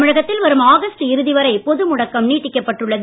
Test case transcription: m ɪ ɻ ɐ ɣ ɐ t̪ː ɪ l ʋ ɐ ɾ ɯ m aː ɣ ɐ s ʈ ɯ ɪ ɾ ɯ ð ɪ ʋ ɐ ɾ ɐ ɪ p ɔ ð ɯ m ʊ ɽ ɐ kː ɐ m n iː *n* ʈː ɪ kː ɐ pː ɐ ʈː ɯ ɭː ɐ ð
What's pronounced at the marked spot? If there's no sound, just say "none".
none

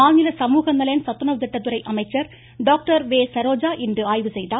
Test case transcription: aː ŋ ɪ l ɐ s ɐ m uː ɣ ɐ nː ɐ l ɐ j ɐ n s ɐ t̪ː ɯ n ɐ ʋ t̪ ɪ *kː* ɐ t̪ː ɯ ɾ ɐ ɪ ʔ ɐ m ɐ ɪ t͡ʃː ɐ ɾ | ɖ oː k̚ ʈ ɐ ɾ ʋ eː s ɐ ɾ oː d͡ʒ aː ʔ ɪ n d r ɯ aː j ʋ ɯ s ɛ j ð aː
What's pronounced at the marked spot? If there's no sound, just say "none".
ʈː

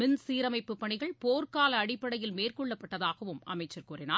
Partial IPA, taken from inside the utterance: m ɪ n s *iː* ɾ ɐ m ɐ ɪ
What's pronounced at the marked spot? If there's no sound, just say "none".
iː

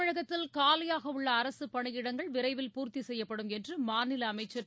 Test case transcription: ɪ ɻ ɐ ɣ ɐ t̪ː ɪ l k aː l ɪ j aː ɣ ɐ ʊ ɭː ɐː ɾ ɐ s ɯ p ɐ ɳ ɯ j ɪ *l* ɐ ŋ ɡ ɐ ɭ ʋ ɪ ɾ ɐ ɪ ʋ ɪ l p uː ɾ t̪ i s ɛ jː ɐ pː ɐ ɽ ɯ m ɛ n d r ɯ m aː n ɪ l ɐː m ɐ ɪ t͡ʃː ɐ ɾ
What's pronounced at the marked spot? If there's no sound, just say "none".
ɽ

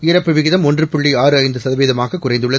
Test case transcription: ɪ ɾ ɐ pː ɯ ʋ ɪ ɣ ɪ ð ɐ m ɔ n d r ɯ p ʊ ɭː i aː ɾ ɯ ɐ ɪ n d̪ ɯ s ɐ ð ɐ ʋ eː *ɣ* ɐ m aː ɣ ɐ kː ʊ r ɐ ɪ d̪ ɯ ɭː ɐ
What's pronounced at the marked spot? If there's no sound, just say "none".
ð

